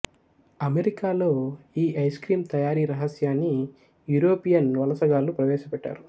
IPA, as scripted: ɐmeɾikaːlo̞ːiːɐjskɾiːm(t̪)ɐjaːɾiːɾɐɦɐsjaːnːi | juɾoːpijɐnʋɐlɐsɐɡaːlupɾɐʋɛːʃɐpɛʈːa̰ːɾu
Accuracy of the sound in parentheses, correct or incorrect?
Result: correct